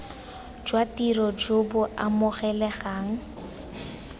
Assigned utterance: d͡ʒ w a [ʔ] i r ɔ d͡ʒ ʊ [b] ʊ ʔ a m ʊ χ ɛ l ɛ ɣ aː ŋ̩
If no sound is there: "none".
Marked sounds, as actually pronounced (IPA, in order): t, b

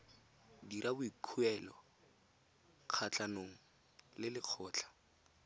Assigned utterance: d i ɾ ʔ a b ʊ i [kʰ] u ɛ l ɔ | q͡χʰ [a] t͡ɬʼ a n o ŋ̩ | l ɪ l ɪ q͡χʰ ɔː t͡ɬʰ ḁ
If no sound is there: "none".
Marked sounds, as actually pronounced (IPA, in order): kʰ, a

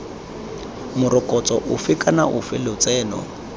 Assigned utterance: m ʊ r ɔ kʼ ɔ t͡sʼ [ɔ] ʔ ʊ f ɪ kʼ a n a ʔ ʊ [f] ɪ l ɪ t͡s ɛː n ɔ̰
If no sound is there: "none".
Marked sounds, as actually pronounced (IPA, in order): ɔ, f

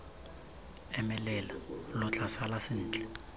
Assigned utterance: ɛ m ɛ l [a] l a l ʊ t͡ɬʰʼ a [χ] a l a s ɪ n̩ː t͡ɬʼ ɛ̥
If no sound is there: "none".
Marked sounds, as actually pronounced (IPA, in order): ɛ, s

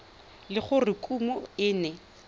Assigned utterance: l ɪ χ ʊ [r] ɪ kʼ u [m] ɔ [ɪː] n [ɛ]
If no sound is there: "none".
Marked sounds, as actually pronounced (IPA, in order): r, m, ɪː, ɛ

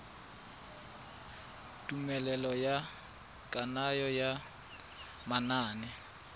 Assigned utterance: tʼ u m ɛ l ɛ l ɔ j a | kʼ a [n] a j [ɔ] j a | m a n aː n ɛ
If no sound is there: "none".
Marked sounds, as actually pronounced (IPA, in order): n, ɔ

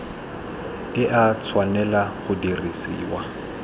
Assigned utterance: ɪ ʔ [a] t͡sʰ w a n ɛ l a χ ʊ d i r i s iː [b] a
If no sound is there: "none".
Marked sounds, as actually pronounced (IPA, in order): a, w

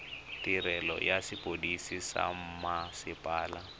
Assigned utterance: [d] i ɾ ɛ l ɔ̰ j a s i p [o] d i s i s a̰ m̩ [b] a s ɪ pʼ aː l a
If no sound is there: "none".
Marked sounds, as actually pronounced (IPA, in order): t, o, m

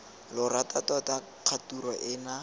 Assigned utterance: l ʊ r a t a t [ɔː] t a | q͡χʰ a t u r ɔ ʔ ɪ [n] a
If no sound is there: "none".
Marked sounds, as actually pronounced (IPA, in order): ɔ, n

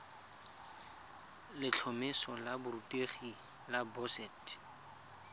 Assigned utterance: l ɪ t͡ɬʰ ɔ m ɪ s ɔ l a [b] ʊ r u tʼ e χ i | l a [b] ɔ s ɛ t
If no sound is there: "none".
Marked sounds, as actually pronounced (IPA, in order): b, b

